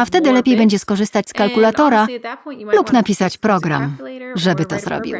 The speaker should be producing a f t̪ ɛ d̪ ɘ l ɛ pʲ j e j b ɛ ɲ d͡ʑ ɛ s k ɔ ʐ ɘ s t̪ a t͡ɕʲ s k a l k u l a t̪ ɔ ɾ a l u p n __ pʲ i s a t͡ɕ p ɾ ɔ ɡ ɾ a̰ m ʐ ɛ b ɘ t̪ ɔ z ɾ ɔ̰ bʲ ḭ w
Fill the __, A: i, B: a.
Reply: B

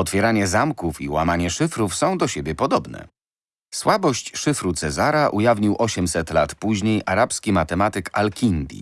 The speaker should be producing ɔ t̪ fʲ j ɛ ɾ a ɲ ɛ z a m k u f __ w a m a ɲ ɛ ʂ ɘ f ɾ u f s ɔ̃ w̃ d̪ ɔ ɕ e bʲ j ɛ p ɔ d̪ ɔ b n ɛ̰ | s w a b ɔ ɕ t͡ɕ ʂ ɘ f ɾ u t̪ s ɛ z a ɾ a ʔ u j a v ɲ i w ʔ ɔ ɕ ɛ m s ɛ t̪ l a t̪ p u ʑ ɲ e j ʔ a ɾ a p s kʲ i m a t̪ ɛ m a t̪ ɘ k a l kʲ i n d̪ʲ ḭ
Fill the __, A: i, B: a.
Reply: A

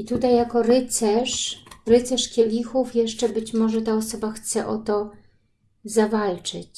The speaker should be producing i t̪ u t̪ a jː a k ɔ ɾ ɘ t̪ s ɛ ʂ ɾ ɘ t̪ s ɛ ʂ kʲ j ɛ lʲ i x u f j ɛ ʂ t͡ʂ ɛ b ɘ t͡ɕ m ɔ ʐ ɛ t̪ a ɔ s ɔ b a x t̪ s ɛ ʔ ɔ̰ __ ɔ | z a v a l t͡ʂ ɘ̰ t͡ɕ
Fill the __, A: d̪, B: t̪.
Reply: B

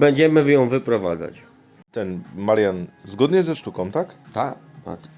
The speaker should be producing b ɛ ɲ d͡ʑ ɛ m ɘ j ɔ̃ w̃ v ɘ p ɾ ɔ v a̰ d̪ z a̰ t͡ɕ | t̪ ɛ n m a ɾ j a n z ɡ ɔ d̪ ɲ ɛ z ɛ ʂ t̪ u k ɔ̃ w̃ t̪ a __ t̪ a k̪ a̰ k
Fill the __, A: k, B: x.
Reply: A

